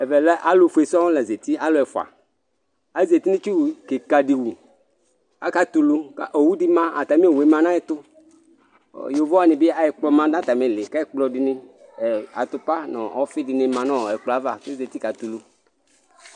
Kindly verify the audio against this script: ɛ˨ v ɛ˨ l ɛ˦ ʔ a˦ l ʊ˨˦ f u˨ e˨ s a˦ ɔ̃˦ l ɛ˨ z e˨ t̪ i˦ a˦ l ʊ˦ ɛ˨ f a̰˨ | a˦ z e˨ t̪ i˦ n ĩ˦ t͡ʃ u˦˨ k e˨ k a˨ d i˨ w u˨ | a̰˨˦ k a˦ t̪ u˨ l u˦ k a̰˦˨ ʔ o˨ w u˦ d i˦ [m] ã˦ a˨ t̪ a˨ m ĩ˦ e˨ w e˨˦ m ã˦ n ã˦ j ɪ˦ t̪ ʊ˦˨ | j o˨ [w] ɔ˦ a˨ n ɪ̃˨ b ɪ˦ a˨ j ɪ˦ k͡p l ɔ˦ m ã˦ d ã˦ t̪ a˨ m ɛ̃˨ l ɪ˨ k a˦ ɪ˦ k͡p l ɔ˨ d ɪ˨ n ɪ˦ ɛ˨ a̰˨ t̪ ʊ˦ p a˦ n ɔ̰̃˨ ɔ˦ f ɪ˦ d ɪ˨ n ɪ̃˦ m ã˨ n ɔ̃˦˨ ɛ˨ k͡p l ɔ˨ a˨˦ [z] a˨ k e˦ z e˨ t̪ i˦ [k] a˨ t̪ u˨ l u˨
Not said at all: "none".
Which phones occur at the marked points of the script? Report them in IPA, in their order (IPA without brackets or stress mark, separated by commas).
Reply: m, v, v, k